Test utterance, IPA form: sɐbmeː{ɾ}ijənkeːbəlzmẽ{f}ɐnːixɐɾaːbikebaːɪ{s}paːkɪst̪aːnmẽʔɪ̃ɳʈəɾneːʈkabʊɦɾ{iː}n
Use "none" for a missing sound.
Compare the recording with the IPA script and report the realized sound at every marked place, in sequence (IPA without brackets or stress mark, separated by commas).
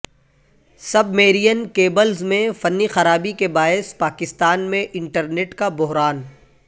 ɾ, f, s, aː